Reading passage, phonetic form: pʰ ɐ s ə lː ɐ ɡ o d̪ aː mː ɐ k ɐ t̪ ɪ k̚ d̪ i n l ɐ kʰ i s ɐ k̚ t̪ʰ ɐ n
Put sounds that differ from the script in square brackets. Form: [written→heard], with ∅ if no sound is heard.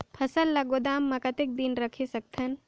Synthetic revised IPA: pʰ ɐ s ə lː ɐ ɡ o d̪ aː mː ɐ k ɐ t̪ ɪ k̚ d̪ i n [l→ɾ] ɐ kʰ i s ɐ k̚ t̪ʰ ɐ n

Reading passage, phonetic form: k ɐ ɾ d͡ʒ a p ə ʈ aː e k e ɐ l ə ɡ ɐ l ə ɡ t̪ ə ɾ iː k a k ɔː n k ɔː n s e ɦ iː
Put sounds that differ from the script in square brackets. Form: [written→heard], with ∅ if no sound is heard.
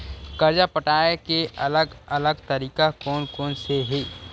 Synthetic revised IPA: k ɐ ɾ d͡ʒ a p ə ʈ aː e k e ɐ l ə ɡ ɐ l ə ɡ t̪ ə ɾ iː k a k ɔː n k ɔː n s e ɦ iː

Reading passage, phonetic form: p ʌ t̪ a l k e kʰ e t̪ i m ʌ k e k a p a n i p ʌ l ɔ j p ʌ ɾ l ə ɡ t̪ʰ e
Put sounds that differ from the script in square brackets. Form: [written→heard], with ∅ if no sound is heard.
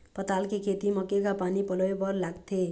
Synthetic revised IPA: p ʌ t̪ a l k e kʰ e t̪ i m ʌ k e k a p a n i p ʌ l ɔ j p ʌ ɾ l [ə→a] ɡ t̪ʰ e

